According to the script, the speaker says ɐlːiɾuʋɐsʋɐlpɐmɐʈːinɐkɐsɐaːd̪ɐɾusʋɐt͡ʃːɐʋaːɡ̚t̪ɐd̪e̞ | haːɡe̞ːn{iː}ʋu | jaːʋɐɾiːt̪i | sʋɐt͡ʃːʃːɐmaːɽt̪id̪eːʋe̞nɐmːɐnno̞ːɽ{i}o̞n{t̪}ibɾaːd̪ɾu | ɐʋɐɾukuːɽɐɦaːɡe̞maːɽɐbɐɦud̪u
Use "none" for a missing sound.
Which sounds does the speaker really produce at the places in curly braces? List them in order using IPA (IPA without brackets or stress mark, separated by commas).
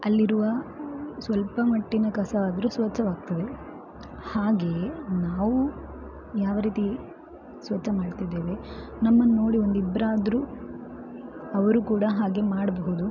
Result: aː, i, d̪